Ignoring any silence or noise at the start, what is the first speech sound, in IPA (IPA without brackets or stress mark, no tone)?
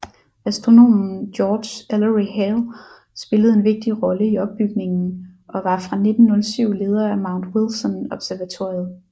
æ